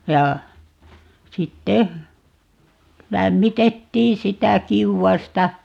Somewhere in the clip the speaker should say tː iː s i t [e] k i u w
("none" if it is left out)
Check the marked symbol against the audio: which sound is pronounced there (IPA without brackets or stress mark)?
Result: æ